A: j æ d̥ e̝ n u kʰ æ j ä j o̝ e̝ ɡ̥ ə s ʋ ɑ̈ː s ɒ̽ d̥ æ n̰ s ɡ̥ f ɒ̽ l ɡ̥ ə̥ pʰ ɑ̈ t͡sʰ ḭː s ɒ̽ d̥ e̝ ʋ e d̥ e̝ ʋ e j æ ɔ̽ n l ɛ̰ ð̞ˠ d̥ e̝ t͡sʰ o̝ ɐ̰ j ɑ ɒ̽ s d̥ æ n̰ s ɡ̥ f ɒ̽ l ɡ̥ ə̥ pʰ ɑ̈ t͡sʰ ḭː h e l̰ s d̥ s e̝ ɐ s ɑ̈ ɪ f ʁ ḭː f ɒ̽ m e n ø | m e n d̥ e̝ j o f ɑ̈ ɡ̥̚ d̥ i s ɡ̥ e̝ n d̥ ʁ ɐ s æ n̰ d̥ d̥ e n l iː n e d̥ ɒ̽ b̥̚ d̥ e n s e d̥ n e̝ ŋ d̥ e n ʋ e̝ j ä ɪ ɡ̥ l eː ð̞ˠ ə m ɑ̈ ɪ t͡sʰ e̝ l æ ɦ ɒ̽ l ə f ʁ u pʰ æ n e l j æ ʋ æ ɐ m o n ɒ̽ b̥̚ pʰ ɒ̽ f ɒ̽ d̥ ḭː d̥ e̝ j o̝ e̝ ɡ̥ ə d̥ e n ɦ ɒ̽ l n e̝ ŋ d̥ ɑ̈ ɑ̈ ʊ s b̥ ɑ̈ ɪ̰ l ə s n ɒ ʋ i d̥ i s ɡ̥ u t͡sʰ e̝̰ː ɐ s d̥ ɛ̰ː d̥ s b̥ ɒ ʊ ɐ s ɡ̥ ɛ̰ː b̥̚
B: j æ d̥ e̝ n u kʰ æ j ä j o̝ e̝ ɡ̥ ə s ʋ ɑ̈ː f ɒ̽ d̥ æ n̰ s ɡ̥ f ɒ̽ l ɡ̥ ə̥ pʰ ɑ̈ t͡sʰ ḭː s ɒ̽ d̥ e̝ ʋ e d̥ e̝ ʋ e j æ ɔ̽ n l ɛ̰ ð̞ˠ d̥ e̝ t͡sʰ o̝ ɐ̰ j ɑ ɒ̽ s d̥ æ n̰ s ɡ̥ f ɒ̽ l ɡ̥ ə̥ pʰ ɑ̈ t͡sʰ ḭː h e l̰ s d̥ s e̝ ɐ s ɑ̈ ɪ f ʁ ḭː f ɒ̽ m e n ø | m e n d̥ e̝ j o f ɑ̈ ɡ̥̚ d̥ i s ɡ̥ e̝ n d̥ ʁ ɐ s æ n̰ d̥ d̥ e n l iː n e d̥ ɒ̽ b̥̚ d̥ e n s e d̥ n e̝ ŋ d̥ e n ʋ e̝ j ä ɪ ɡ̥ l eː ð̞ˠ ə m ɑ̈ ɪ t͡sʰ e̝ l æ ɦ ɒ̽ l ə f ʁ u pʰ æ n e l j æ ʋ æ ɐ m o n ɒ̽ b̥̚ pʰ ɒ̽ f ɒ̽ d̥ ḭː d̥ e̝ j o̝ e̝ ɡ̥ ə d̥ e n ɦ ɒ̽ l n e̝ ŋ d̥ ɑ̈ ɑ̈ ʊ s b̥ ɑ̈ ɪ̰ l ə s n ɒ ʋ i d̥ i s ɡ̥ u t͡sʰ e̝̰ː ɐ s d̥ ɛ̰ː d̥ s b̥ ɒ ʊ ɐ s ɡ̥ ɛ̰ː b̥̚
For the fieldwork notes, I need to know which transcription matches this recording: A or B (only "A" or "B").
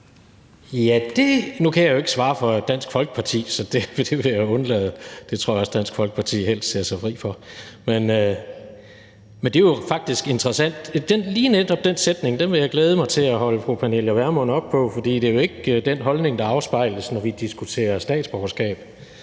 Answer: B